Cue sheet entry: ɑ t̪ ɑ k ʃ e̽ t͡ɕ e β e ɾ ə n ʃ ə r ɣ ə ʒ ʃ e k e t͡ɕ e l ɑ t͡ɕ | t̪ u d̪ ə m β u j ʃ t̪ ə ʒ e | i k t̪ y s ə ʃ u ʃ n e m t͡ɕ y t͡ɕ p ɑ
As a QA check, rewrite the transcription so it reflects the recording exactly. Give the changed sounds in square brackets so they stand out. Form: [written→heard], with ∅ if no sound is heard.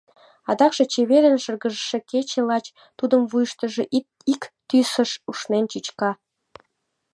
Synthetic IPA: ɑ [t̪→d̪] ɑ k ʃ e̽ t͡ɕ e β e ɾ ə n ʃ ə r ɣ ə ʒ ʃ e k e t͡ɕ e l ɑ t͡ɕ | t̪ u d̪ ə m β u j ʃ t̪ ə ʒ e | i k t̪ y s ə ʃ u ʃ n e [m→n] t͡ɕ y t͡ɕ [p→k] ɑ